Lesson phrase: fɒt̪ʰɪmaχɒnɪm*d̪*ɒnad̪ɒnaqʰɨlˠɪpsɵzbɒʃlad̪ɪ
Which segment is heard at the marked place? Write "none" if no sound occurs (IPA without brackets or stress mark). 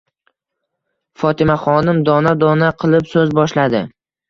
d̪